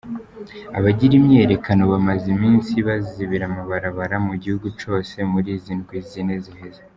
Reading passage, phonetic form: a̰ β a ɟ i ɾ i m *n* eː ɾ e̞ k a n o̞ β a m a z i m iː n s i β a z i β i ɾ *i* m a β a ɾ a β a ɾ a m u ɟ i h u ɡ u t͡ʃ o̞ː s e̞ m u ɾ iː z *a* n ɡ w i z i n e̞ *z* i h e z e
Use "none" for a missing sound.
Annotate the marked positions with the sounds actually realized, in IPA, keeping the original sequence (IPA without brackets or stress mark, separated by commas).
ɲ, a, i, z